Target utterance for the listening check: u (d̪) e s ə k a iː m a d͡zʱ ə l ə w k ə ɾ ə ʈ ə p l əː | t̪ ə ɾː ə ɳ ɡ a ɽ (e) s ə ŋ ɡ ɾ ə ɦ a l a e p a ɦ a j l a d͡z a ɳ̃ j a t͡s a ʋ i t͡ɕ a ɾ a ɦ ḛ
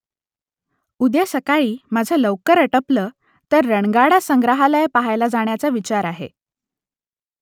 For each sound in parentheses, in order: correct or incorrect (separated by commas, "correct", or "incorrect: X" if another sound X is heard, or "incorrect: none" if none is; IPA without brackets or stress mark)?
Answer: correct, incorrect: a